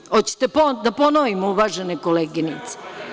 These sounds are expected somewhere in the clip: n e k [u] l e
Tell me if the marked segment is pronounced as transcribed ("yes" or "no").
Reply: no